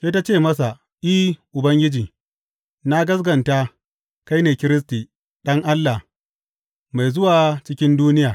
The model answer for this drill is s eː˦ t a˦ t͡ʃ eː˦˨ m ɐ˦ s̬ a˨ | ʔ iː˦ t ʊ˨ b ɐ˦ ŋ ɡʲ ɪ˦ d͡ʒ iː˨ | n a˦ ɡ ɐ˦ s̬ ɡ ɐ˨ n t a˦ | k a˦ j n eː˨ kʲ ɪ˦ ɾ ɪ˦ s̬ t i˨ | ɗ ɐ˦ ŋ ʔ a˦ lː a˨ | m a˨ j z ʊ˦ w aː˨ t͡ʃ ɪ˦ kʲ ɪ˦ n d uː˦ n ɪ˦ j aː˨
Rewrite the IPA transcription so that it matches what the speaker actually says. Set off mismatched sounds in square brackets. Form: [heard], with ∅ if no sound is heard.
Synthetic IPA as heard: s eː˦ t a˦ t͡ʃ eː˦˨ m ɐ˦ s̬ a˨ | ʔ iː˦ [ʔ] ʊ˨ b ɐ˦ ŋ ɡʲ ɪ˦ d͡ʒ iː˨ | n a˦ ɡ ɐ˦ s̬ ɡ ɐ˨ n t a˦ | k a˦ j n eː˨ kʲ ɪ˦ ɾ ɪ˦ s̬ t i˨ | ɗ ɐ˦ ŋ ʔ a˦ lː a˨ | m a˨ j z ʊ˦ w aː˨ t͡ʃ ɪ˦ kʲ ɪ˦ n d uː˦ n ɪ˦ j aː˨

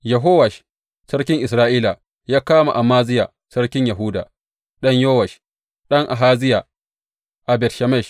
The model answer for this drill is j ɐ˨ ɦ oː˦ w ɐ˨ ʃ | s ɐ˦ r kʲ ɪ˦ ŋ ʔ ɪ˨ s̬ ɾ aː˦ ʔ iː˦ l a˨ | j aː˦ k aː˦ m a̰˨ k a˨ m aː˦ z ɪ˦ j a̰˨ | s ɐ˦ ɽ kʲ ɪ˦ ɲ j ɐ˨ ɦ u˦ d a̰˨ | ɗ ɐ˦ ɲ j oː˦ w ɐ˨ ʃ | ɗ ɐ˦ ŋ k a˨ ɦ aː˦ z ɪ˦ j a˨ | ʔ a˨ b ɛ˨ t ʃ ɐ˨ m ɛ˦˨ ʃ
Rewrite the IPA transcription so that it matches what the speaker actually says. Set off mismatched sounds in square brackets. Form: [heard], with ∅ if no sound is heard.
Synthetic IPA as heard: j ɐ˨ ɦ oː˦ w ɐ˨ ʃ | s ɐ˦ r kʲ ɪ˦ ŋ ʔ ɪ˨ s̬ ɾ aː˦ ʔ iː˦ l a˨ | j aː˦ k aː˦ m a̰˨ [ʔ] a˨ m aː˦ z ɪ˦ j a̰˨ | s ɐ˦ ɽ kʲ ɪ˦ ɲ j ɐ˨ ɦ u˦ d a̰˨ | ɗ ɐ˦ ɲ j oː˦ w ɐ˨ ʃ | ɗ ɐ˦ ŋ [ʔ] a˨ ɦ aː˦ z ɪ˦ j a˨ | ʔ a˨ b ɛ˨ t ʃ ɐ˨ m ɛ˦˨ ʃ

